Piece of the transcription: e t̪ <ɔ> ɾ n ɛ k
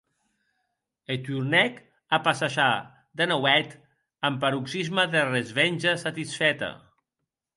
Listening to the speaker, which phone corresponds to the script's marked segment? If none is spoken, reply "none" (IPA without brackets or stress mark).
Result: u